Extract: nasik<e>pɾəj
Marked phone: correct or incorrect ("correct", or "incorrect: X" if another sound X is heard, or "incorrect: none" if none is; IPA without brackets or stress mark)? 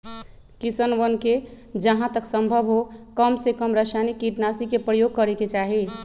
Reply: correct